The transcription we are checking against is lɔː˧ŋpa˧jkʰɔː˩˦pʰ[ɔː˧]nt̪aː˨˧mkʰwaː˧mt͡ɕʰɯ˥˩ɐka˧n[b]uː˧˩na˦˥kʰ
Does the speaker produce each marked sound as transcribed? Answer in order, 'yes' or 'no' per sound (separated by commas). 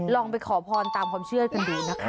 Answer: yes, no